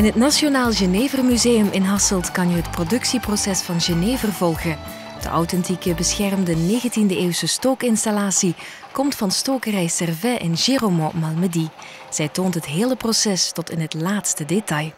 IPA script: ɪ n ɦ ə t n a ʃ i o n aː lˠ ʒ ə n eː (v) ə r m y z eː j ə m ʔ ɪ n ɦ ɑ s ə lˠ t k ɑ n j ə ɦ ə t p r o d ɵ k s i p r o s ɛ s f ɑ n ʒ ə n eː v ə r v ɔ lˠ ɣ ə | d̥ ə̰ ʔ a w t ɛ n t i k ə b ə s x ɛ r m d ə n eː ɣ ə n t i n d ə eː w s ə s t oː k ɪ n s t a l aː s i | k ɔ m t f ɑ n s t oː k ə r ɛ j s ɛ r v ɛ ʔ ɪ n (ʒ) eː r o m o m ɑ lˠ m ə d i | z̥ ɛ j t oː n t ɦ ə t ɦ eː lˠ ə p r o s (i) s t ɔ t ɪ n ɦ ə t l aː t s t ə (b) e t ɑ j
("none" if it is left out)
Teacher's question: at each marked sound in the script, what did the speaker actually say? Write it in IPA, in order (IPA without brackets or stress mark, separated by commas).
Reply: v, ʒ, ɛ, d